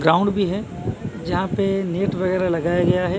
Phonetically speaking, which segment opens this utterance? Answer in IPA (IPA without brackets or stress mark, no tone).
ɡ